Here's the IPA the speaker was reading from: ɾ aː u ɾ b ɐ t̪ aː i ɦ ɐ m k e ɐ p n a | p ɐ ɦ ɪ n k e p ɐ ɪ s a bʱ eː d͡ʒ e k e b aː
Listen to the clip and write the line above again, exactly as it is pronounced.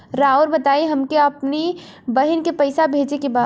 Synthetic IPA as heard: ɾ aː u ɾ b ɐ t̪ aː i ɦ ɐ m k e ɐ p n i | b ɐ ɦ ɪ n k e p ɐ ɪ s a bʱ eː d͡ʒ e k e b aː